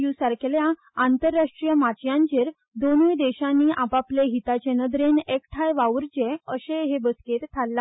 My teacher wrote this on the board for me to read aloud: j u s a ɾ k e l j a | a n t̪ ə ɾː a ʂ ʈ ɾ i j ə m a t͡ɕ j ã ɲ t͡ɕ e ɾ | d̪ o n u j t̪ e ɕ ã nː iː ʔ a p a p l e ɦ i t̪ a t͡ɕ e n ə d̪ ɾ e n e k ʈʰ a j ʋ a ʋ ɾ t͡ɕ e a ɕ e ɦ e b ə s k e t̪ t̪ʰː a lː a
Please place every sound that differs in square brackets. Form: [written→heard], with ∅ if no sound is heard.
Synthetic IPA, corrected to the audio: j u s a ɾ k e l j a | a n t̪ ə ɾː a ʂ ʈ ɾ i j ə m a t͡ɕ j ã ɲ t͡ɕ e ɾ | d̪ o n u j [t̪→d̪] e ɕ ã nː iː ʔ a p a p l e ɦ i t̪ a t͡ɕ e n ə d̪ ɾ e n e k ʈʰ a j ʋ a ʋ ɾ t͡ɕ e [a→ə] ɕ e ɦ e b ə s k e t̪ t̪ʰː a lː a

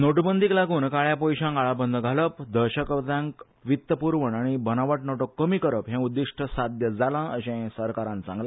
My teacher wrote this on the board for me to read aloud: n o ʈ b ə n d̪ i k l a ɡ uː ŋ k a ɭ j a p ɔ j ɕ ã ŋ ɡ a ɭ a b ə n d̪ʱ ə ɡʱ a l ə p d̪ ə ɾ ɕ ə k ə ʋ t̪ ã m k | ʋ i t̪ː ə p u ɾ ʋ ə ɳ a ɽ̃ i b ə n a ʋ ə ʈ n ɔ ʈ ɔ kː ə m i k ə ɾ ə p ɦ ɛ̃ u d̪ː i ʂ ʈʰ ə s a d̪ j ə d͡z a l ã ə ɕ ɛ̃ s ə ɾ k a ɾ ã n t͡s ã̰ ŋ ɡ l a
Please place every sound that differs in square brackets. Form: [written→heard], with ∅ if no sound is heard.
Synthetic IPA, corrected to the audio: n o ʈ b ə n d̪ i k l a ɡ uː [ŋ→n] k a ɭ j a p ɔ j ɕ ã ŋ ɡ a ɭ a b ə n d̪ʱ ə ɡʱ a l ə p d̪ ə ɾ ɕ ə k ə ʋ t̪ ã [m→ŋ] k | ʋ i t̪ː ə p u ɾ ʋ ə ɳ a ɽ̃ i b ə n a ʋ ə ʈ n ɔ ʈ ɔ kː ə m i k ə ɾ ə p ɦ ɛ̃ u d̪ː i ʂ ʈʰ ə s a d̪ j ə d͡z a l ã ə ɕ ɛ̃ s ə ɾ k a ɾ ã n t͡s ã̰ ŋ ɡ l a

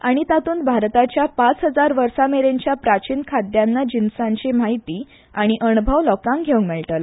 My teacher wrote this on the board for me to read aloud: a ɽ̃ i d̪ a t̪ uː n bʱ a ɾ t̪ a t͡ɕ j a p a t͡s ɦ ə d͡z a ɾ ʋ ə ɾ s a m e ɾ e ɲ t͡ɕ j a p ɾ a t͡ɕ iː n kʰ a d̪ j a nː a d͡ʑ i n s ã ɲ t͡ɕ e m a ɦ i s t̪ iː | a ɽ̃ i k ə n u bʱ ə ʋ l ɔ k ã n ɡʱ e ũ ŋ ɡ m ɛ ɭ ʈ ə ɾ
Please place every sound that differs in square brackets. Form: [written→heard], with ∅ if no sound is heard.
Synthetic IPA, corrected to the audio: a ɽ̃ i [d̪→t̪] a t̪ uː n bʱ a ɾ t̪ a t͡ɕ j a p a t͡s ɦ ə d͡z a ɾ ʋ ə ɾ s a m e ɾ e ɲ t͡ɕ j a p ɾ a t͡ɕ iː n kʰ a d̪ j a nː a d͡ʑ i n s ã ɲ t͡ɕ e m a ɦ i [s→∅] t̪ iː | a ɽ̃ i [k→ʔ] ə n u bʱ ə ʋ l ɔ k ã [n→ŋ] ɡʱ e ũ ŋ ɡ m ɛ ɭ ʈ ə [ɾ→l]

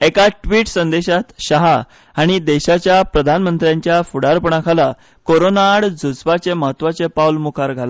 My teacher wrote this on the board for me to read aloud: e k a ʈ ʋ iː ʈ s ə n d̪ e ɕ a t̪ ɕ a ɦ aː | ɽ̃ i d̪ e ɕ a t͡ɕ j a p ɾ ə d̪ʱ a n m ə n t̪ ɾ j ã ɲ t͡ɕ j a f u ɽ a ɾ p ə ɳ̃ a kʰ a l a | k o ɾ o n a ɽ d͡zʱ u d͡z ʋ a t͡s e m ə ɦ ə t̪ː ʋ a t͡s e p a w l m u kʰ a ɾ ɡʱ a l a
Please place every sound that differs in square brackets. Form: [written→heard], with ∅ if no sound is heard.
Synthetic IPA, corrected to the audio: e k a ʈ ʋ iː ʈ s ə n d̪ e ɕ a t̪ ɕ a ɦ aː | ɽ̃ i d̪ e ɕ a t͡ɕ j a p ɾ ə d̪ʱ a n m ə n t̪ ɾ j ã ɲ t͡ɕ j a f u ɽ a ɾ p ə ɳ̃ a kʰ a l a | k o ɾ o n a ɽ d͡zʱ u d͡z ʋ a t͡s e m ə ɦ ə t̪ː ʋ a t͡s e p a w l m u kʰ a ɾ ɡʱ a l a

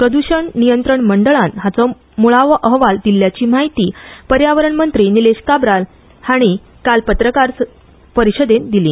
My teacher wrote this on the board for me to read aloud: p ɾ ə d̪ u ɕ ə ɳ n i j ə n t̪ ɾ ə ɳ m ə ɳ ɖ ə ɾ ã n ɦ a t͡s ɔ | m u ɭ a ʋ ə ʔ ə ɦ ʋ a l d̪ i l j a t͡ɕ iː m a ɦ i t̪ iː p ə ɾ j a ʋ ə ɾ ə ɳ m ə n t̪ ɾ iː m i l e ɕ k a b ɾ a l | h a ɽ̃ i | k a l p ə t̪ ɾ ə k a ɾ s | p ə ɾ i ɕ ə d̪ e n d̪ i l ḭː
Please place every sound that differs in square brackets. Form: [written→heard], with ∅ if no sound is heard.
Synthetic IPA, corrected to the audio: p ɾ ə d̪ u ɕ ə ɳ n i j ə n t̪ ɾ ə ɳ m ə ɳ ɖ ə [ɾ→ɭ] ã n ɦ a t͡s ɔ | m u ɭ a ʋ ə ʔ ə ɦ ʋ a l d̪ i l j a t͡ɕ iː m a ɦ i t̪ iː p ə ɾ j a ʋ ə ɾ ə ɳ m ə n t̪ ɾ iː [m→n] i l e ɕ k a b ɾ a l | h a ɽ̃ i | k a l p ə t̪ ɾ ə k a ɾ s | p ə ɾ i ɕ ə d̪ e n d̪ i l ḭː

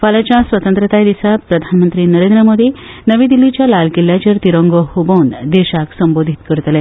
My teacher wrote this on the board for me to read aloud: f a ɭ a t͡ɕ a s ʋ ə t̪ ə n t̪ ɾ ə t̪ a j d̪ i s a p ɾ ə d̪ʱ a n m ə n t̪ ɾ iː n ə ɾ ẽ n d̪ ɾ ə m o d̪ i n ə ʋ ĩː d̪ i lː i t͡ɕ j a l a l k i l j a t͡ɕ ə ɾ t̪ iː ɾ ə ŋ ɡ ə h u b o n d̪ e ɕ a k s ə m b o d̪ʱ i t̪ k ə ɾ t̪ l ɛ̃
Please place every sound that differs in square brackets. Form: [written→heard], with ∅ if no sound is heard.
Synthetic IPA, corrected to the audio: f a [ɭ→l] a t͡ɕ a s ʋ ə t̪ ə n t̪ ɾ ə t̪ a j d̪ i s a p ɾ ə d̪ʱ a n m ə n t̪ ɾ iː n ə ɾ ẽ n d̪ ɾ ə m o d̪ i n ə ʋ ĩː d̪ i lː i t͡ɕ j a l a l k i l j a t͡ɕ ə ɾ t̪ [iː→i] ɾ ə ŋ ɡ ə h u b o n d̪ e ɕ a k s ə m b o d̪ʱ i t̪ k ə ɾ t̪ l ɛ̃

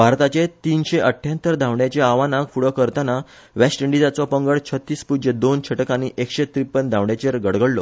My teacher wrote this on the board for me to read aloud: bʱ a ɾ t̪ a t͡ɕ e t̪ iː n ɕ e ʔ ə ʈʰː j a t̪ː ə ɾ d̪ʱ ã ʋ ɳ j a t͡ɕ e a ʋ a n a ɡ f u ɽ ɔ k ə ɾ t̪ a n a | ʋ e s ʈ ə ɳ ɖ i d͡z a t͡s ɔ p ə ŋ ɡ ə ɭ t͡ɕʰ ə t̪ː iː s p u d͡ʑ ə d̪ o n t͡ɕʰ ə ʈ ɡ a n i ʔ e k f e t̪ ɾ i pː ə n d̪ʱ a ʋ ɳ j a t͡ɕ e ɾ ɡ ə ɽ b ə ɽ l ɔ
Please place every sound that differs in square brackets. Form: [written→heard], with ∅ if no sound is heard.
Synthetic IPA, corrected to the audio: bʱ a ɾ t̪ a t͡ɕ e t̪ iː n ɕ e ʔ ə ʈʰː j a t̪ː ə ɾ d̪ʱ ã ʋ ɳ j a t͡ɕ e a ʋ a n a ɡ f u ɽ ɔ k ə ɾ t̪ a n a | ʋ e s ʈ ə ɳ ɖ i d͡z a t͡s ɔ p ə ŋ ɡ ə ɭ t͡ɕʰ ə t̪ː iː s p u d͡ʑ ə d̪ o n t͡ɕʰ ə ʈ [ɡ→k] a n i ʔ e k [f→ɕ] e t̪ ɾ i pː ə n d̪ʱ a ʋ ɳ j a t͡ɕ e ɾ ɡ ə ɽ [b→ɡ] ə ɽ l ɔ

